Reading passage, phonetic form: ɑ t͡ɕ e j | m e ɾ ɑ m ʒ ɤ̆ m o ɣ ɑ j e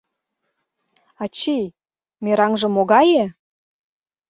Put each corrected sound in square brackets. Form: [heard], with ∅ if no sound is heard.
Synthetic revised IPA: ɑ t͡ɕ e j | m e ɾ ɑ [ŋ] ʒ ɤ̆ m o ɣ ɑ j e